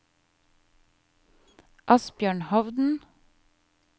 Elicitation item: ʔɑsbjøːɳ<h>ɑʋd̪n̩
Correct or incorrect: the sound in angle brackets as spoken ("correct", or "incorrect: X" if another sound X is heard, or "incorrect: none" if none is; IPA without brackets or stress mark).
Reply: correct